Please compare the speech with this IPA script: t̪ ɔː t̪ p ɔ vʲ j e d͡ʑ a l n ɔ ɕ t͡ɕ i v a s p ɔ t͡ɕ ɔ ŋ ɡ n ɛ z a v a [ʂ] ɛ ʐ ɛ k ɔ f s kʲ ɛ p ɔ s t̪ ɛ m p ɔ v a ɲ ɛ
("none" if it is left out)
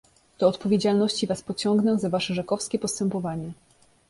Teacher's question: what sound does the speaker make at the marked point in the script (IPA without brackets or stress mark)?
ʂ